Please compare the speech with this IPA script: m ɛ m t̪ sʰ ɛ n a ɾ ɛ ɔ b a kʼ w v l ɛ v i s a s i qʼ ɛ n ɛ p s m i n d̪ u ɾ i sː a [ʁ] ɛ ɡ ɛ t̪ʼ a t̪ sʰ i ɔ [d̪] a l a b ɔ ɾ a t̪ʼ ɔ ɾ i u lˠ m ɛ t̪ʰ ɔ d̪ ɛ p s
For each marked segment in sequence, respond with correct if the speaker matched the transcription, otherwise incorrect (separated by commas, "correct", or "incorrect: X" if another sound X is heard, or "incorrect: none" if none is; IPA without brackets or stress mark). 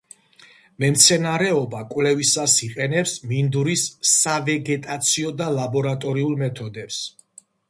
incorrect: v, correct